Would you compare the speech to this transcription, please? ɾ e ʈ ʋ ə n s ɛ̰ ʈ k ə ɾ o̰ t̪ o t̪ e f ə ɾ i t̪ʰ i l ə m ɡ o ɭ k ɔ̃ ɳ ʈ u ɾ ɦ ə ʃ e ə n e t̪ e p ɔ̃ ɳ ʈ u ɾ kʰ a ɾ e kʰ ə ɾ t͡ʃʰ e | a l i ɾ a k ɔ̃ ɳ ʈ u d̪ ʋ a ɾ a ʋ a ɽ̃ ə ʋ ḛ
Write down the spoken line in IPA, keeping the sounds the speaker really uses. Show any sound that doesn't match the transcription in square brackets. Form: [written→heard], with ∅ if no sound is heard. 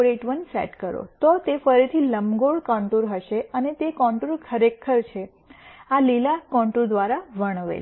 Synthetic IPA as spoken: ɾ e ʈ ʋ ə n s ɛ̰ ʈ k ə ɾ o̰ t̪ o t̪ e f ə ɾ i t̪ʰ i l ə m ɡ o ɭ k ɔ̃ ɳ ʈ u ɾ ɦ ə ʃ e ə n e t̪ e [p→k] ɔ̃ ɳ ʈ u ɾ kʰ [a→ə] ɾ e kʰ ə ɾ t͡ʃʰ e | a l i [ɾ→l] a k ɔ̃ ɳ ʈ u d̪ ʋ a ɾ a ʋ [a→ə] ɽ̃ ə ʋ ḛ